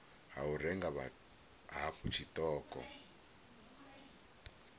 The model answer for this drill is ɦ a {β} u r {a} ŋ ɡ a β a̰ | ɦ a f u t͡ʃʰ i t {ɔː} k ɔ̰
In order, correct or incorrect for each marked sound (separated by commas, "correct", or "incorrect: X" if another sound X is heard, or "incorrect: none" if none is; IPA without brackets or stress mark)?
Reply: incorrect: none, incorrect: ɛ, correct